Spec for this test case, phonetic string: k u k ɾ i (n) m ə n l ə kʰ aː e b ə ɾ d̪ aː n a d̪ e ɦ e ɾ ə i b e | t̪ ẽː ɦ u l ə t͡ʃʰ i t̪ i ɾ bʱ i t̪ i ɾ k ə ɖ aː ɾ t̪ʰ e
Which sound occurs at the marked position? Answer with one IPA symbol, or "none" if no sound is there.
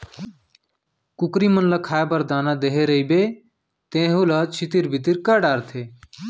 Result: none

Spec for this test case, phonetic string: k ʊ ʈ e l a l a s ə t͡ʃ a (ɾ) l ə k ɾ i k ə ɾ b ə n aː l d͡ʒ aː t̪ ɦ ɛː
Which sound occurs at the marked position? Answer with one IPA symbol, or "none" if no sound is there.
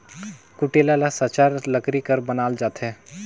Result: ɾ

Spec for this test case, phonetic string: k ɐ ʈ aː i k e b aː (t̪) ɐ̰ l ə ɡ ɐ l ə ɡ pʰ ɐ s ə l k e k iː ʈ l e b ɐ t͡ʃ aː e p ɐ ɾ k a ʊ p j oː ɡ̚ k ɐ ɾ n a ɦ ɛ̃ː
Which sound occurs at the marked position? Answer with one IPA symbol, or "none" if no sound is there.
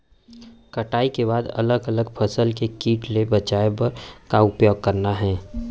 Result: d̪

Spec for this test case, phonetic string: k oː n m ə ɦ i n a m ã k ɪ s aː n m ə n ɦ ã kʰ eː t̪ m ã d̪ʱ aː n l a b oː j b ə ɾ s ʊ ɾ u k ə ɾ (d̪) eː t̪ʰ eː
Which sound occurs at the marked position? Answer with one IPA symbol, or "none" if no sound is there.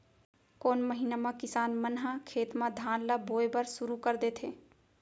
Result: d̪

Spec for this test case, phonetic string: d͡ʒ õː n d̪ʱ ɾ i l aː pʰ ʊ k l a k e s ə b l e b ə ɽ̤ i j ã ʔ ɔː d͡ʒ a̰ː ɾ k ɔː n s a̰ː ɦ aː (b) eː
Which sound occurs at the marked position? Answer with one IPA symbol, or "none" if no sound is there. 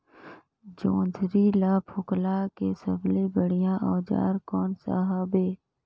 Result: b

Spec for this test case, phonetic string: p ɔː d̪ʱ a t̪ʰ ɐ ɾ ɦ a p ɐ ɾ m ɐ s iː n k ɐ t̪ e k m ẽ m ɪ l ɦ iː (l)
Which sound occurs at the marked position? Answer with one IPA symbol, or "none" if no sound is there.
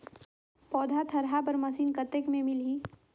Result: none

